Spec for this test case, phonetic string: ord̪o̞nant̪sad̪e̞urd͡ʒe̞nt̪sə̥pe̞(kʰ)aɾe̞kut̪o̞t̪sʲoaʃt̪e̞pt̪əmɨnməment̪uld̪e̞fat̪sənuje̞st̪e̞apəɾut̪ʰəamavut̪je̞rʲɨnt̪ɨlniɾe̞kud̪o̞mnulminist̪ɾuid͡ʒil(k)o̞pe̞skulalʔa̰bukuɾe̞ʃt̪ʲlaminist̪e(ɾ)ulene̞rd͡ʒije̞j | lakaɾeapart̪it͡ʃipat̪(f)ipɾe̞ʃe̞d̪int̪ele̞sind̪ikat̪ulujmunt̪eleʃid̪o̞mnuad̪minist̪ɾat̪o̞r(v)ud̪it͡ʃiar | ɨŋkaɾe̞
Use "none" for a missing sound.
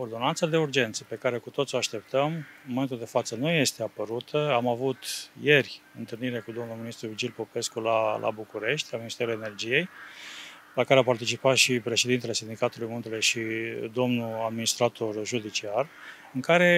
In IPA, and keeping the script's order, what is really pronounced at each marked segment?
k, p, ɾ, ʃ, ʒ

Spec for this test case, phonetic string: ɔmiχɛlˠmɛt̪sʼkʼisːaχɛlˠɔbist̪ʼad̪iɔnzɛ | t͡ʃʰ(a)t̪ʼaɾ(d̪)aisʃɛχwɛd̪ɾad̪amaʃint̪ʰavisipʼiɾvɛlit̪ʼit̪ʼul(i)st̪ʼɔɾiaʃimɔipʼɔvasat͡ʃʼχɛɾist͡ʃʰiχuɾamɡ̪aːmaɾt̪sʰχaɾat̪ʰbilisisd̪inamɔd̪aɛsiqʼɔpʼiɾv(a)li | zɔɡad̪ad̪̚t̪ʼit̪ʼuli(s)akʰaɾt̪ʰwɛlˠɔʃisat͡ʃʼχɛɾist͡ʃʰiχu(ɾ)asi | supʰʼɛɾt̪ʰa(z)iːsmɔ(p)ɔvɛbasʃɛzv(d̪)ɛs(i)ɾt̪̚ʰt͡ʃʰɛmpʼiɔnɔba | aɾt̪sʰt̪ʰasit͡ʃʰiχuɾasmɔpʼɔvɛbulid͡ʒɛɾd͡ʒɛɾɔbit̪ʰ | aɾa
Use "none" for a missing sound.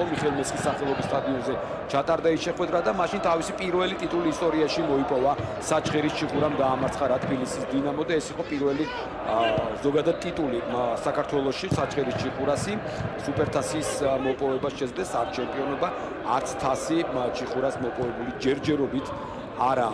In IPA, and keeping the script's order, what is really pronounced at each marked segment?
a, d̪, iː, ɛ, s, ɾ, s, pʼ, d̪, a

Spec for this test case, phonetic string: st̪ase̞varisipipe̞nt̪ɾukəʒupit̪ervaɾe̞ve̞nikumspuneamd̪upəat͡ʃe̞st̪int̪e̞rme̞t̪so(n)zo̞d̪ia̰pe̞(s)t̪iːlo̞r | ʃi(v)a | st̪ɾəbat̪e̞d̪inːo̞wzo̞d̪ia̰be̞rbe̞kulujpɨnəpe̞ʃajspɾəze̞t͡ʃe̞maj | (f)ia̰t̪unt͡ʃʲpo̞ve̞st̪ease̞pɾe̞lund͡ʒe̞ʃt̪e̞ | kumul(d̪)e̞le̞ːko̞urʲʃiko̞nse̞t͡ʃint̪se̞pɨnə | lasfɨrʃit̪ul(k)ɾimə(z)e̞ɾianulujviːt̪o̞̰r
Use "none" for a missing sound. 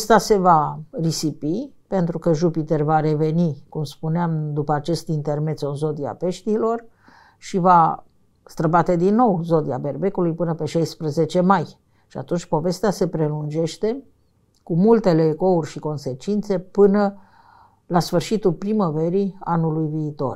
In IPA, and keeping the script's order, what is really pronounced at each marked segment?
n, ʃ, v, ʃ, t̪, p, v

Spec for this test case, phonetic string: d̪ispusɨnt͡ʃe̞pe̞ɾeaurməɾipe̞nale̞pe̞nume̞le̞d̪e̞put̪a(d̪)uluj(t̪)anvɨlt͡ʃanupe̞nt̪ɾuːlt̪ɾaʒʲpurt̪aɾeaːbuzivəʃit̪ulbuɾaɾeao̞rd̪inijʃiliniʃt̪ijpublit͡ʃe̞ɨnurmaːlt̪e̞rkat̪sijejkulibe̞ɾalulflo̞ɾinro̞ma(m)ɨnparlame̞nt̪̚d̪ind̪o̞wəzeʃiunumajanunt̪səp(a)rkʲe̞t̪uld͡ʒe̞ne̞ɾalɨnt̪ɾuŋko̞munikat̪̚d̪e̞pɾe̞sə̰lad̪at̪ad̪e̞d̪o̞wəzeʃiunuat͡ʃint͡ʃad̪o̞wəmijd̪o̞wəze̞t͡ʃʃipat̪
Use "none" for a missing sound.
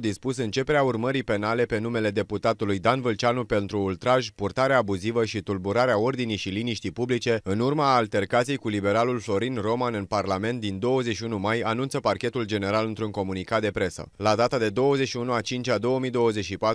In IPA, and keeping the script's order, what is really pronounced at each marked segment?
t̪, d̪, n, a

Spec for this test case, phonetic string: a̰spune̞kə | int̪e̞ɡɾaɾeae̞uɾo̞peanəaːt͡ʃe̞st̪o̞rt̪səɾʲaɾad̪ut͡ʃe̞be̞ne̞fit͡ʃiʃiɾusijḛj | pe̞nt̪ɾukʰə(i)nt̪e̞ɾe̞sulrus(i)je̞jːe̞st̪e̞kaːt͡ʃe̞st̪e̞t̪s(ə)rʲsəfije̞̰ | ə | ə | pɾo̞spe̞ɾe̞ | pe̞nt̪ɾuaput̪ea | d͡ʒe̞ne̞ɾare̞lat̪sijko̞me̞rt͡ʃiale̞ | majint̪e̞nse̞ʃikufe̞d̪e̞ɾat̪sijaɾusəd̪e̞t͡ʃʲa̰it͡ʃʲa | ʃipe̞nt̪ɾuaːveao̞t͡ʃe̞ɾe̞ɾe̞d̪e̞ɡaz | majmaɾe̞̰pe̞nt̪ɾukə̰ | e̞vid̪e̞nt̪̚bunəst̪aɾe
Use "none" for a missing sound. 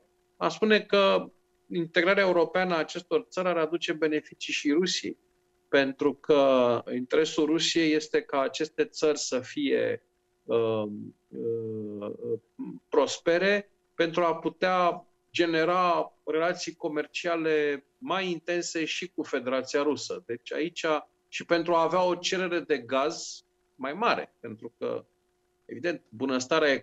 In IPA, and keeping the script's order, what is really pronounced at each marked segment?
i, i, ə

